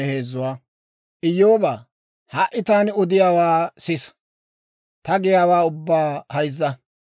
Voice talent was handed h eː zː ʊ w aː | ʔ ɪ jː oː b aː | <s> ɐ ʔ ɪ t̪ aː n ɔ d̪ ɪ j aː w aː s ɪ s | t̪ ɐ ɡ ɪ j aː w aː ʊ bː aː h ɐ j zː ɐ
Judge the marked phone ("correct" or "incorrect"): incorrect